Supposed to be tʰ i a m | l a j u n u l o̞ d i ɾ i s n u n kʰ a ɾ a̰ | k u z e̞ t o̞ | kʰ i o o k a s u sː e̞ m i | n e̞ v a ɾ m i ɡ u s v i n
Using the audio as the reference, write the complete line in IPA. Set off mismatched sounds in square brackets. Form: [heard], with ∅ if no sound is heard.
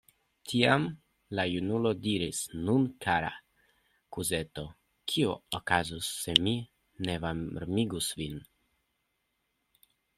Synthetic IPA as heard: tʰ i a m | l a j u n u l o̞ d i ɾ i s n u n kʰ a ɾ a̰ | k u z e̞ t o̞ | kʰ i o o k a [z] u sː e̞ m i | n e̞ v a ɾ m i ɡ u s v i n